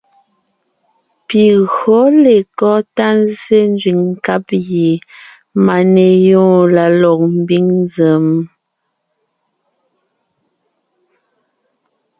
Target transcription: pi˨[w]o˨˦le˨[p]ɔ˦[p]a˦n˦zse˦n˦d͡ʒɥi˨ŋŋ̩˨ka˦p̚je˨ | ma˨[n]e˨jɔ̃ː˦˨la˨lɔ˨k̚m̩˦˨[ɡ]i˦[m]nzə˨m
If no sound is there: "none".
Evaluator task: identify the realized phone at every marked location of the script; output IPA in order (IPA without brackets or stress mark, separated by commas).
ɣ, k, t, n, b, ŋ